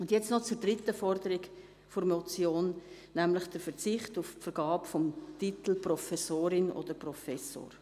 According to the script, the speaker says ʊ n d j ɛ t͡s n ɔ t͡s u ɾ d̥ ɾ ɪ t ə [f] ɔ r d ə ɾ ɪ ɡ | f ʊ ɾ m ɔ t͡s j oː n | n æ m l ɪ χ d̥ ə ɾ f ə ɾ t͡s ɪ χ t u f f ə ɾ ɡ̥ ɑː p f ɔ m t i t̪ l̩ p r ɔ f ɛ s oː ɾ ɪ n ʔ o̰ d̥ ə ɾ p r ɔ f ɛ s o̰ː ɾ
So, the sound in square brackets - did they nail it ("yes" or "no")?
yes